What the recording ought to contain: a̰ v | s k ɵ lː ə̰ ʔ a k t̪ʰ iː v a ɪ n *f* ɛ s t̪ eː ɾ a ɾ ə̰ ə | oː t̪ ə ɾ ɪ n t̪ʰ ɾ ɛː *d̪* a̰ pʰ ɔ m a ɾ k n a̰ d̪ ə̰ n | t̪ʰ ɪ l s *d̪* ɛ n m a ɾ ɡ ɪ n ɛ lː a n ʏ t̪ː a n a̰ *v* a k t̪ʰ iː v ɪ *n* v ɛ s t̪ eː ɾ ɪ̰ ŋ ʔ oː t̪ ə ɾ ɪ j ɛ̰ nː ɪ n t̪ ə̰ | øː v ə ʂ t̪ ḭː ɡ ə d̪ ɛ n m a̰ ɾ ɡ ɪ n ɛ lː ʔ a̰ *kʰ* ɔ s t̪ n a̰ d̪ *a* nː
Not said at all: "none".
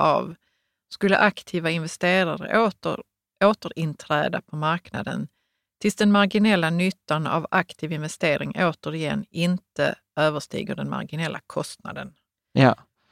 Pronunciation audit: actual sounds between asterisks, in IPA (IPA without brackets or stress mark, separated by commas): v, d̪, d̪, v, n, kʰ, ə